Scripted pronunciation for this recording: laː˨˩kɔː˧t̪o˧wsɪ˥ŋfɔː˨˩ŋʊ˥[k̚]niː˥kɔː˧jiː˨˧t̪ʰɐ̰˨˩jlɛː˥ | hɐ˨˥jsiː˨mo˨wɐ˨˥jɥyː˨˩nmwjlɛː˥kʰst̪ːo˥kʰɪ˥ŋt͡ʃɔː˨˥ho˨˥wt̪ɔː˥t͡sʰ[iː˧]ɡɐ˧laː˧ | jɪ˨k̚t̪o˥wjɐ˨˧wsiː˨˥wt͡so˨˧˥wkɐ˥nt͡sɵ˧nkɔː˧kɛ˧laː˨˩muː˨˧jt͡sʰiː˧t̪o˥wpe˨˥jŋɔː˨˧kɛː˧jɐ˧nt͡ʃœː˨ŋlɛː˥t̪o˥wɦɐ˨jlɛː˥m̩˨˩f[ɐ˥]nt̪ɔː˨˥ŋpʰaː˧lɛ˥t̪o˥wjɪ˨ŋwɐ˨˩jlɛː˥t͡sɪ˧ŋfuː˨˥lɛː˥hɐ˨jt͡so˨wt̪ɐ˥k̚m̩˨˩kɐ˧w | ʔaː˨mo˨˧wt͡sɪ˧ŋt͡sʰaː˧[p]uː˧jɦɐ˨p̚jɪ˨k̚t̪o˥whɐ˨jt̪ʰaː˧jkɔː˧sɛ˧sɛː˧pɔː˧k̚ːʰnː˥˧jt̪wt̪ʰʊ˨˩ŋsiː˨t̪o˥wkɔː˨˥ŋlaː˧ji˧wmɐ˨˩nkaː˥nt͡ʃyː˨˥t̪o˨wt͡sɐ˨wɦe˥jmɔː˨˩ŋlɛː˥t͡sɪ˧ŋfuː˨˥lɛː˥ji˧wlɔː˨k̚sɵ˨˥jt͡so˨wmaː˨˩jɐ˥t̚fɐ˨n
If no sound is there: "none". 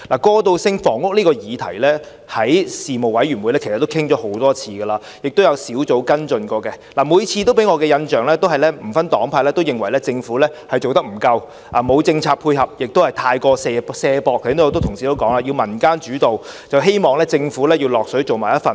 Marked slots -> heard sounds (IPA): k̚, iː˧, ɐ˥, pʰ

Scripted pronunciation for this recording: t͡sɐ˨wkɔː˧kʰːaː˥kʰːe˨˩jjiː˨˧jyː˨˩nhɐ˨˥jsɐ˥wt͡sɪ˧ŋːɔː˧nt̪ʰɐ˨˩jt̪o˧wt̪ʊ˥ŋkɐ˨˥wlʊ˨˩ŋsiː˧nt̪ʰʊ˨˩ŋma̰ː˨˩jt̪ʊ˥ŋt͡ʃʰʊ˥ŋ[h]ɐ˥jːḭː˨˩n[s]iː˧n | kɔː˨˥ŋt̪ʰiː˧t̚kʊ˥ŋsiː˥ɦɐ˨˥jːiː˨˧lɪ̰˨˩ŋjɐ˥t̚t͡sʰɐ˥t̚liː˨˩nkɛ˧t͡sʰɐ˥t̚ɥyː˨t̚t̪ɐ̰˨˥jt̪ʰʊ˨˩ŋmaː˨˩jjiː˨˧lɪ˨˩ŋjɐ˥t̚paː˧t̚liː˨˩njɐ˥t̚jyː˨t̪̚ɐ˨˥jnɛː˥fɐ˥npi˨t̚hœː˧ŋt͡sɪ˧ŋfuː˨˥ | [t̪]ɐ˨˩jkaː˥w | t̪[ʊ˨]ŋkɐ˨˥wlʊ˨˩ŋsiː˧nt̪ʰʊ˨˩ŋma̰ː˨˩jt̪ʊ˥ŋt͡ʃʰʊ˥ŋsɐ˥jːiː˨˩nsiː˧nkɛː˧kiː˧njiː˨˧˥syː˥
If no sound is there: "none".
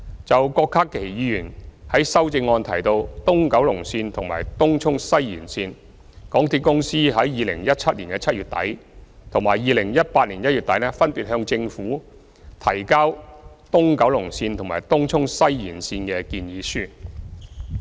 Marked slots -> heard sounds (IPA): s, s, t̪ʰ, ʊ˥

